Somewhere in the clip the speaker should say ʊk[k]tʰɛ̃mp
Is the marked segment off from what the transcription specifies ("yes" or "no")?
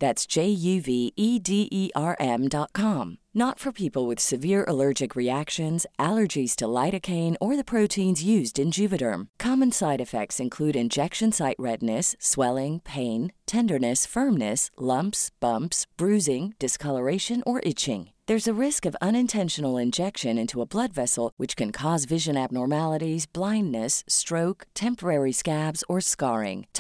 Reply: no